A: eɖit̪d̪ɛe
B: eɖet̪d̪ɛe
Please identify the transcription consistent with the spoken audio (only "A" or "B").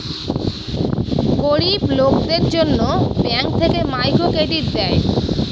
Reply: A